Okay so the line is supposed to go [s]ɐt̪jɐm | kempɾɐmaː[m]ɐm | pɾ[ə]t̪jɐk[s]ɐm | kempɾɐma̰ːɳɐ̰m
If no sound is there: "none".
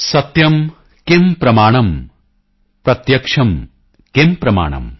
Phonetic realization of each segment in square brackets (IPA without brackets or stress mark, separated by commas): s, ɳ, ɐ, ʂ